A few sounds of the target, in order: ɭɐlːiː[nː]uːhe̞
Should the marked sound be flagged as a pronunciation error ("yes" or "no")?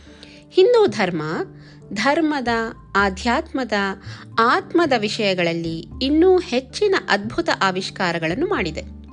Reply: no